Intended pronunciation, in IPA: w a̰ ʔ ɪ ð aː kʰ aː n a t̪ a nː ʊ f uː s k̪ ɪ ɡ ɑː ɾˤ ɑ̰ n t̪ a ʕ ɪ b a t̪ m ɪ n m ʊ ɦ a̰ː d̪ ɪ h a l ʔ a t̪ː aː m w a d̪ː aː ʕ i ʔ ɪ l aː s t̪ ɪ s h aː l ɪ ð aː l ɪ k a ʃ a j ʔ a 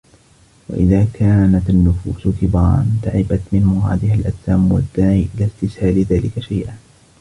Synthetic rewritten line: w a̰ ʔ ɪ ð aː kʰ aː n a t̪ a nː ʊ f uː s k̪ ɪ b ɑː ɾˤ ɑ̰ n t̪ a ʕ ɪ b a t̪ m ɪ n m ʊ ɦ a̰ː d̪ ɪ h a l ʔ a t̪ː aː m w a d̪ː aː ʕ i ʔ ɪ l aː s t̪ ɪ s h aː l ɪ ð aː l ɪ k a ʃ a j ʔ a

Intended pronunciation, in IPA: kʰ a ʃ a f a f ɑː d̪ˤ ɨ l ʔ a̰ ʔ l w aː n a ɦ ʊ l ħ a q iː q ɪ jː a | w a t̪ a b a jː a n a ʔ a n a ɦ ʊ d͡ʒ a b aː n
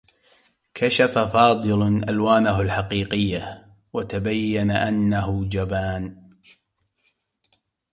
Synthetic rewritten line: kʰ a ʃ a f a f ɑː d̪ˤ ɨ l ʔ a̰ l w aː n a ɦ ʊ l ħ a q iː q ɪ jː a | w a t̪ a b a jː a n a ʔ a nː a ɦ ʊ d͡ʒ a b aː n

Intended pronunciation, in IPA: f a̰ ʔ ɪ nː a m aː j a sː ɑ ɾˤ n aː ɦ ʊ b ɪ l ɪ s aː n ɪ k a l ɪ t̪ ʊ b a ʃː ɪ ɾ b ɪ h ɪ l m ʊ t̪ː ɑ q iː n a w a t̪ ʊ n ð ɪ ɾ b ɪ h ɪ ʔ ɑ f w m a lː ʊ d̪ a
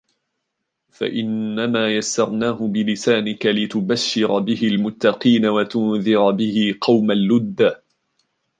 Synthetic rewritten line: f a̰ ʔ ɪ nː a m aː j a sː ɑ ɾˤ n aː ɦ ʊ b ɪ l ɪ s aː n ɪ k a l ɪ t̪ ʊ b a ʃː ɪ ɾ b ɪ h ɪ l m ʊ t̪ː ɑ q iː n a w a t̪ ʊ n ð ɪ ɾ b ɪ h ɪ q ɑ w m a lː ʊ d̪ː a

